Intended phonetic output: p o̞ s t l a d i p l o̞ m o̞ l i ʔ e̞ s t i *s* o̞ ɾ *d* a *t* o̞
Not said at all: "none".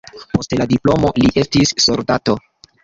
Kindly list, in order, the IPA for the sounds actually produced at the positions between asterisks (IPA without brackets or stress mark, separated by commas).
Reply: sː, d, t